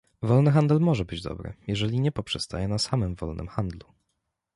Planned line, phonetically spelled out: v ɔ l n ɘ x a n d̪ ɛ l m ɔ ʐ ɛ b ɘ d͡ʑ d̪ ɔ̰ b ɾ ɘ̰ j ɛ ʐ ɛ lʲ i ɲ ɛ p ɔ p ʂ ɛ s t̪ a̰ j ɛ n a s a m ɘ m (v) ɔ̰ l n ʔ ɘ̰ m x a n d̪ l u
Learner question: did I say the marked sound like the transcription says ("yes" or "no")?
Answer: yes